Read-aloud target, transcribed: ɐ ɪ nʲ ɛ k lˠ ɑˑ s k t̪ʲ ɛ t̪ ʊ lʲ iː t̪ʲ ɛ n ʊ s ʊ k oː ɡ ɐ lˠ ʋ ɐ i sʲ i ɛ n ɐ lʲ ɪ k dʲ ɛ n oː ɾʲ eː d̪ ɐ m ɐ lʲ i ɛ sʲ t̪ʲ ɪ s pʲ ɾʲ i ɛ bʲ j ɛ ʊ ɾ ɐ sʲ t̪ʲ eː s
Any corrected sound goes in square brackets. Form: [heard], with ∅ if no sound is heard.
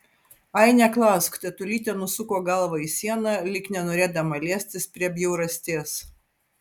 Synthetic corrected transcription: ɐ ɪ nʲ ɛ k lˠ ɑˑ s k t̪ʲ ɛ t̪ ʊ lʲ iː t̪ʲ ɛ n ʊ s ʊ k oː ɡ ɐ lˠ ʋ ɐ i sʲ i ɛ n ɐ lʲ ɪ k [nʲ] ɛ n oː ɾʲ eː d̪ ɐ m ɐ lʲ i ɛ sʲ t̪ʲ ɪ s pʲ ɾʲ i ɛ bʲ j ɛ ʊ ɾ ɐ sʲ t̪ʲ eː s

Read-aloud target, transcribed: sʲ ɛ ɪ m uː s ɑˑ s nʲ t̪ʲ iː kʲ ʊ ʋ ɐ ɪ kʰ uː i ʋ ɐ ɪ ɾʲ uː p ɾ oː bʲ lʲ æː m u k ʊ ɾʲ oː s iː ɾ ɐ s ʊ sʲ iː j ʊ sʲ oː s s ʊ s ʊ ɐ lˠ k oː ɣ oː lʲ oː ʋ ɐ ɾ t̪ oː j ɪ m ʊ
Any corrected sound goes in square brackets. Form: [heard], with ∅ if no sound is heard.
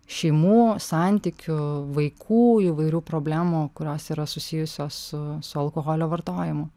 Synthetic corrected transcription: [ʃʲ] ɛ ɪ m uː s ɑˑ [∅] nʲ t̪ʲ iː kʲ ʊ ʋ ɐ ɪ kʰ uː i ʋ ɐ ɪ ɾʲ uː p ɾ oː bʲ lʲ æː m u k ʊ ɾʲ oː s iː ɾ ɐ s ʊ sʲ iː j ʊ sʲ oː s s ʊ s ʊ ɐ lˠ k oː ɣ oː lʲ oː ʋ ɐ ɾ t̪ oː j ɪ m ʊ

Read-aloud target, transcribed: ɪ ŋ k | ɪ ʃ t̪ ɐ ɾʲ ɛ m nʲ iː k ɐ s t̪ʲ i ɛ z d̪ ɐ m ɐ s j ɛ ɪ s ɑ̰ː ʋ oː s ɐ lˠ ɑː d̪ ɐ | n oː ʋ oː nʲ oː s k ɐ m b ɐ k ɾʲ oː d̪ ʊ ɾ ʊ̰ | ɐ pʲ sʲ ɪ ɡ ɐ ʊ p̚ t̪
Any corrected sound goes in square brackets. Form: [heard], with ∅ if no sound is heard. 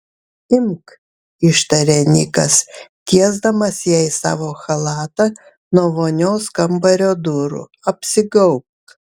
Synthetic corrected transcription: ɪ [m] k | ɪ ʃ t̪ ɐ ɾʲ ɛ [∅] nʲ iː k ɐ s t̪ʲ i ɛ z d̪ ɐ m ɐ s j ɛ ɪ s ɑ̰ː ʋ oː [x] ɐ lˠ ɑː [t̪] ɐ | n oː ʋ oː nʲ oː s k ɐ m b ɐ [∅] ɾʲ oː d̪ ʊ ɾ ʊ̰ | ɐ pʲ sʲ ɪ ɡ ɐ ʊ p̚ t̪

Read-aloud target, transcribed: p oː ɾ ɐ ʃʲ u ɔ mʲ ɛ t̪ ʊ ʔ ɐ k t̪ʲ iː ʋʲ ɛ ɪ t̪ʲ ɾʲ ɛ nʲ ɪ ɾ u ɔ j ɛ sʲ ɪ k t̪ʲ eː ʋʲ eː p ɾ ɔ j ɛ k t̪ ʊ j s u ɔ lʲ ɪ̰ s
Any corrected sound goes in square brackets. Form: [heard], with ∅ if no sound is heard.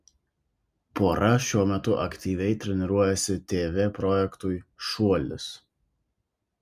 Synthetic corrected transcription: p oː ɾ ɐ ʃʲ u ɔ mʲ ɛ t̪ ʊ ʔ ɐ k t̪ʲ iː ʋʲ ɛ ɪ t̪ʲ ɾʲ ɛ nʲ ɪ ɾ u ɔ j ɛ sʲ ɪ [∅] t̪ʲ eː ʋʲ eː p ɾ ɔ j ɛ k t̪ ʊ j [ʃ] u ɔ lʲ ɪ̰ s

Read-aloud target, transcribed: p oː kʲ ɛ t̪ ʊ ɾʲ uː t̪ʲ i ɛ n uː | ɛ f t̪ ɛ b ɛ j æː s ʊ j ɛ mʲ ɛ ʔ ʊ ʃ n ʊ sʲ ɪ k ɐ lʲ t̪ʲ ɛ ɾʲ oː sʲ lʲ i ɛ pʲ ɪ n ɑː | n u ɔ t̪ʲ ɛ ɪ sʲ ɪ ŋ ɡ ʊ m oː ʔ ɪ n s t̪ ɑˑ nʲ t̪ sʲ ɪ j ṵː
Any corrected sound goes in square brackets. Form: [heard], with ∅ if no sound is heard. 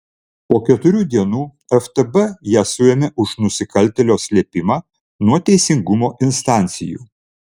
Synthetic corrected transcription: p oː kʲ ɛ t̪ ʊ ɾʲ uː [d̪ʲ] i ɛ n uː | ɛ f t̪ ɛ b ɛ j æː s ʊ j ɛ mʲ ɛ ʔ ʊ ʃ n ʊ sʲ ɪ k ɐ lʲ t̪ʲ ɛ [lʲ] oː sʲ lʲ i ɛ pʲ ɪ [m] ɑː | n u ɔ t̪ʲ ɛ ɪ sʲ ɪ ŋ ɡ ʊ m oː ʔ ɪ n s t̪ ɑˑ nʲ t̪ sʲ ɪ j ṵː

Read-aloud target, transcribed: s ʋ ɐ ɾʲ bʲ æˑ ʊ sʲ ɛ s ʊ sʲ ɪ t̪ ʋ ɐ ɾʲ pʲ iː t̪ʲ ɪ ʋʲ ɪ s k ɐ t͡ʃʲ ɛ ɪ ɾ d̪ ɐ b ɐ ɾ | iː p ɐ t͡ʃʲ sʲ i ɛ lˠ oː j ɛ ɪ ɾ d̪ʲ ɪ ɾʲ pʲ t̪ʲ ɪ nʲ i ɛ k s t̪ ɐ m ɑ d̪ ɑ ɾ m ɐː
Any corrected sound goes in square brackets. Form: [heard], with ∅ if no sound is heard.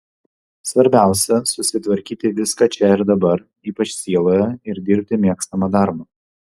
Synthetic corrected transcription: s ʋ ɐ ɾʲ bʲ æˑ ʊ sʲ ɛ s ʊ sʲ ɪ t̪ ʋ ɐ ɾʲ [kʲ] iː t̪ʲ ɪ ʋʲ ɪ s k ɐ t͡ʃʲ ɛ ɪ ɾ d̪ ɐ b ɐ ɾ | iː p ɐ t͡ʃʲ sʲ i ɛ lˠ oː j ɛ ɪ ɾ d̪ʲ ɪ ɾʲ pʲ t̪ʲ ɪ [mʲ] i ɛ k s t̪ ɐ m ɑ d̪ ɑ ɾ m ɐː

